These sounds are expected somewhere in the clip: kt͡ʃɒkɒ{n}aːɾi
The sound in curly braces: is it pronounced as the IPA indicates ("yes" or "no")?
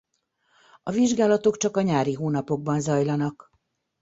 no